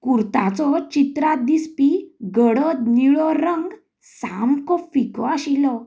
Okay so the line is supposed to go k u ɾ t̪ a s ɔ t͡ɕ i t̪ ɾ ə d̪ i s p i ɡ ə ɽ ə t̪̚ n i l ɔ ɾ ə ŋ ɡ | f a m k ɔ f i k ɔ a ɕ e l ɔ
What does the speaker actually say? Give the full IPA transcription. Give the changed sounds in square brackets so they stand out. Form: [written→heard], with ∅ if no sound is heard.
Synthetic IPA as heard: k u ɾ t̪ a [s→t͡s] ɔ t͡ɕ i t̪ ɾ [ə→a] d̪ i s p i ɡ ə ɽ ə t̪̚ n i [l→ɭ] ɔ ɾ ə ŋ ɡ | [f→s] a m k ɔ f i k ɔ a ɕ [e→i] l ɔ